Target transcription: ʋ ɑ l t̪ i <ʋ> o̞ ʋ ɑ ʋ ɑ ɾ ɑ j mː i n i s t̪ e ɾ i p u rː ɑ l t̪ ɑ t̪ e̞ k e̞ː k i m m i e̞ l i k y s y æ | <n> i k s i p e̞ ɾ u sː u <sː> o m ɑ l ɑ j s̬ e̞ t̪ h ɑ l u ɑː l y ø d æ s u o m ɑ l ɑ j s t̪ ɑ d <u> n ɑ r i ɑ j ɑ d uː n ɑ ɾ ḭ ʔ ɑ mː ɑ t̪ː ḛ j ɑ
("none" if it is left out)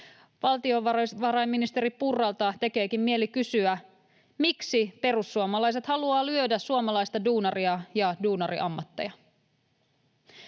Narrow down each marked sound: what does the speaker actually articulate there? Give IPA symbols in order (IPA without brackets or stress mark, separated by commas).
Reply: none, m, none, uː